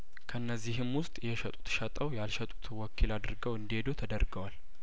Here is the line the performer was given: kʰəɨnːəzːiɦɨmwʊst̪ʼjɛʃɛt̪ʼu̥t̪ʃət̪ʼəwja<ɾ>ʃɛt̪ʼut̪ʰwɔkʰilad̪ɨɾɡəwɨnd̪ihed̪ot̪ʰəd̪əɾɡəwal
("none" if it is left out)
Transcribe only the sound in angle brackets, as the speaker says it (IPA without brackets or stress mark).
l